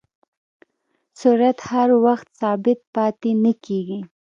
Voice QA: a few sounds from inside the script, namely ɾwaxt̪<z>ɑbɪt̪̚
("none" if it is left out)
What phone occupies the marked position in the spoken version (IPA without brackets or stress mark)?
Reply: s